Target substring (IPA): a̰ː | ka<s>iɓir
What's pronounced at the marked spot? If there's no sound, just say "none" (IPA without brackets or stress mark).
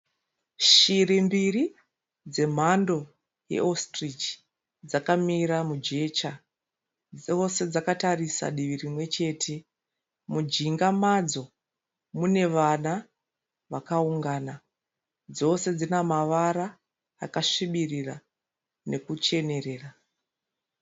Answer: ʂ